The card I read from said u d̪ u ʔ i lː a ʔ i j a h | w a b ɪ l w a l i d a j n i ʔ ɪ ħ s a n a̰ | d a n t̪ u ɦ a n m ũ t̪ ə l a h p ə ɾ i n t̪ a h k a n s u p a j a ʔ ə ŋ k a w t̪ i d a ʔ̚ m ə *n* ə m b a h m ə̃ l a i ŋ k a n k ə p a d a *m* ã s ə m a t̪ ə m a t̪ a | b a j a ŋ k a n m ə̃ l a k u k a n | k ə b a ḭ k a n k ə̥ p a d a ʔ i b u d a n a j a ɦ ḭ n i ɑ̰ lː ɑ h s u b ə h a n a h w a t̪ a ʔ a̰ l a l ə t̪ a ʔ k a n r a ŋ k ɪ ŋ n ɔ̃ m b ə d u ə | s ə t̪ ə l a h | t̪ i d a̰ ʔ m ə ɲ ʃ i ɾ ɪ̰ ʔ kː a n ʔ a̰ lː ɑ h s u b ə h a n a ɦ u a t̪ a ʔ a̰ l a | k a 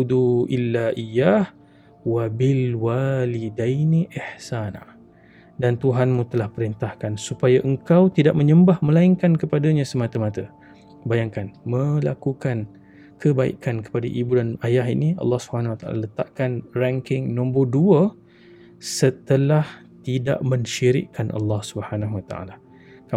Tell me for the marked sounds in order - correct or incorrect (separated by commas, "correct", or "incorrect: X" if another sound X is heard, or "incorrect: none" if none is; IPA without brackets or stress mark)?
incorrect: ɲ, incorrect: ɲ